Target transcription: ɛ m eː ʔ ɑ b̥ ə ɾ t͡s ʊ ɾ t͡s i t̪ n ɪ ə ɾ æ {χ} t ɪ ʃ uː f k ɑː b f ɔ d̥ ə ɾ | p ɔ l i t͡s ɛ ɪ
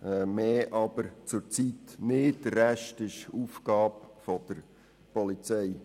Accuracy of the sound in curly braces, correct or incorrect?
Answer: incorrect